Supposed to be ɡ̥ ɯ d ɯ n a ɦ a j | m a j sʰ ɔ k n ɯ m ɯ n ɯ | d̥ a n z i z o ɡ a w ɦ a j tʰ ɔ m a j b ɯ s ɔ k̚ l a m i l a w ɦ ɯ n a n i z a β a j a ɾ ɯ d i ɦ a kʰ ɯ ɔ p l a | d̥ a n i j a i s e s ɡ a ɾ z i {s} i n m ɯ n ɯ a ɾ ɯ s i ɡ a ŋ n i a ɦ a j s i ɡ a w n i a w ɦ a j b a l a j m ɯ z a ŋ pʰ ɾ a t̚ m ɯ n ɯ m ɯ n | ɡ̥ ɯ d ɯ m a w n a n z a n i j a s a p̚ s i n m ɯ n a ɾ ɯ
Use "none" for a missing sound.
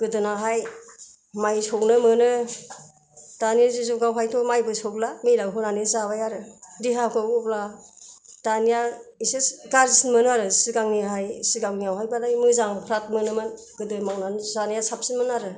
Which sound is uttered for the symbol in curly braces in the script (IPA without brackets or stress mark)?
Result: s